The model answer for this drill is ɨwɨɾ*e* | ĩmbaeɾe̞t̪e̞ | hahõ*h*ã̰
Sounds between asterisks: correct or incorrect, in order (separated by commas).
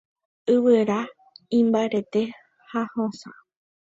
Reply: incorrect, incorrect